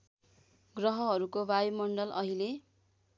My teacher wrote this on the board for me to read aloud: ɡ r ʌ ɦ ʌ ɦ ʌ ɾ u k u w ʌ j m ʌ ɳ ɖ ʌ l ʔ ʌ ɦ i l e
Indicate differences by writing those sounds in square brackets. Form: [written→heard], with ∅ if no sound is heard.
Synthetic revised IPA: ɡ r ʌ ɦ ʌ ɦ ʌ ɾ u k [u→o] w [ʌ→a] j m ʌ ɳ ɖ ʌ l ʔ ʌ ɦ i l e